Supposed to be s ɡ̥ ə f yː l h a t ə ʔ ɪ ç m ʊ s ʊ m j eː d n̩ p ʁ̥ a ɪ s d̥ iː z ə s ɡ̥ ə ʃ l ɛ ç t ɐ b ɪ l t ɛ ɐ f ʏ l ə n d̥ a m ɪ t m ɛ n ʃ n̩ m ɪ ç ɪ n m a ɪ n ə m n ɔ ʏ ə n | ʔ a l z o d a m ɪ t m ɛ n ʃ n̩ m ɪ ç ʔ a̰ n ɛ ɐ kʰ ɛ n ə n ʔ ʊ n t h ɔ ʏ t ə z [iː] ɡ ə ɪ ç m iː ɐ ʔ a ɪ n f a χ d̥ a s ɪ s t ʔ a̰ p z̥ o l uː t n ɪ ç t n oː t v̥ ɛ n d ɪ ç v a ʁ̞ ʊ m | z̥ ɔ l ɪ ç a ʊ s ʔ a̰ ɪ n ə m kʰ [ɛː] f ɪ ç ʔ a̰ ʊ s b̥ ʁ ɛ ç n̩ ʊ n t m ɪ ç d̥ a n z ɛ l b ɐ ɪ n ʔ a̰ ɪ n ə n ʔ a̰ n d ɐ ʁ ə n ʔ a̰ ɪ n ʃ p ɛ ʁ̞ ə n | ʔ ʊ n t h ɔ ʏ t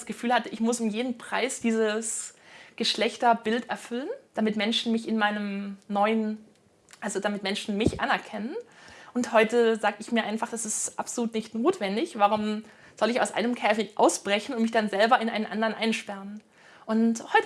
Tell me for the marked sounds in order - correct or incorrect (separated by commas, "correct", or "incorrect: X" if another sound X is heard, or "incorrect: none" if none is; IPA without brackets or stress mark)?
incorrect: aː, correct